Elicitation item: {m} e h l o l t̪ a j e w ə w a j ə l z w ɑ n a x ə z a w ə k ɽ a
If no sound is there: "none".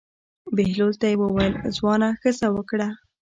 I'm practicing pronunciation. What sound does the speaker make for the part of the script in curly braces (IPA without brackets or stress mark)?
b